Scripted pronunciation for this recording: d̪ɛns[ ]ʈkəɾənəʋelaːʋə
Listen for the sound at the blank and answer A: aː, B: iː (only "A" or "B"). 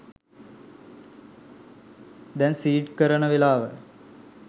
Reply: B